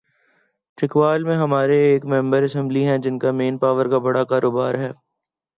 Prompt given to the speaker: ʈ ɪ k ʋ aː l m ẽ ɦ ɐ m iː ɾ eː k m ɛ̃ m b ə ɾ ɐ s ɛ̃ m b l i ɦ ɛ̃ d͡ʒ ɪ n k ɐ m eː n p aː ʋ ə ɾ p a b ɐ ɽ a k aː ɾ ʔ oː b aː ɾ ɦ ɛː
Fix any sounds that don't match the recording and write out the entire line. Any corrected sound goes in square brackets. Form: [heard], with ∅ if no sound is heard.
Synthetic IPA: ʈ ɪ k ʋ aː l m ẽ ɦ ɐ m [aː] ɾ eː k m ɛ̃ m b ə ɾ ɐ s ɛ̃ m b l i ɦ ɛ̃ d͡ʒ ɪ n k [a] m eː n p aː ʋ ə ɾ [k] a b ɐ ɽ a k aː ɾ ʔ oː b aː ɾ ɦ ɛː